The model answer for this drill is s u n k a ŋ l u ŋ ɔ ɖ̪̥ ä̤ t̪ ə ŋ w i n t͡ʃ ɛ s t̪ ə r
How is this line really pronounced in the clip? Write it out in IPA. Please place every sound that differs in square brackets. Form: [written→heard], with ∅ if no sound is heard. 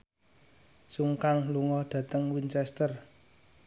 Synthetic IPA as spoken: s u [n→ŋ] k a ŋ l u ŋ ɔ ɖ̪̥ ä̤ t̪ ə ŋ w i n t͡ʃ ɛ s t̪ ə r